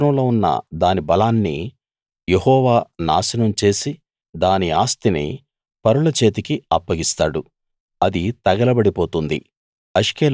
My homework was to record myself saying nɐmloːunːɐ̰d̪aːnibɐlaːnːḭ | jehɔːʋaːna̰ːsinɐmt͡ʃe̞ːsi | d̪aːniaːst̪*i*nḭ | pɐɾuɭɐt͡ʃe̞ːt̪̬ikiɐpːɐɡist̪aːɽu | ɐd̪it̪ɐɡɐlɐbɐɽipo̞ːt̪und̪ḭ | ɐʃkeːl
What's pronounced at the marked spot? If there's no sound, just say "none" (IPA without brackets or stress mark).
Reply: i